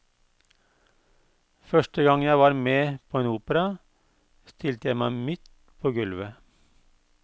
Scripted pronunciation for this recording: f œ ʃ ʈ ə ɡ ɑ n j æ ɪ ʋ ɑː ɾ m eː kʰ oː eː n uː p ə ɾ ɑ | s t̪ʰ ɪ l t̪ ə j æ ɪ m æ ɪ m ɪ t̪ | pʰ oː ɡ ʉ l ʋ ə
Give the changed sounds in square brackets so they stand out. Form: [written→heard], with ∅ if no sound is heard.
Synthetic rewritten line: f œ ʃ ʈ ə ɡ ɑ [n→ŋ] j æ ɪ ʋ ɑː ɾ m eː [kʰ→pʰ] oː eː n uː p ə ɾ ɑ | s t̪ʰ ɪ l t̪ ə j æ ɪ m æ ɪ m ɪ t̪ | pʰ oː ɡ ʉ l ʋ ə